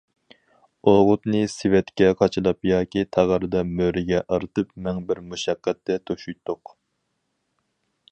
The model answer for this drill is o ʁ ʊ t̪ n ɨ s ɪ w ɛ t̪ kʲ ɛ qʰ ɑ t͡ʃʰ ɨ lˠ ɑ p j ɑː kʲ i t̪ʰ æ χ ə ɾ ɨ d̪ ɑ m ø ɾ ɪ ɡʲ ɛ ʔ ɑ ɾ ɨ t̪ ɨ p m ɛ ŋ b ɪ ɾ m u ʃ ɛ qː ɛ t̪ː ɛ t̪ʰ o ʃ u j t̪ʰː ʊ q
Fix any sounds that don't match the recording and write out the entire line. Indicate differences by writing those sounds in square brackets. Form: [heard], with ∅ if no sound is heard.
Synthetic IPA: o ʁ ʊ t̪ n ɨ s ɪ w ɛ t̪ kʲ ɛ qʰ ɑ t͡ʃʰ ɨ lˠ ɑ p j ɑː kʲ i t̪ʰ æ [ʁ] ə ɾ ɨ d̪ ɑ m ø ɾ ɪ ɡʲ ɛ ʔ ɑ ɾ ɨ t̪ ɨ p m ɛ ŋ b ɪ ɾ m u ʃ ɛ qː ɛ t̪ː ɛ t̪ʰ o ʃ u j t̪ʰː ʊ q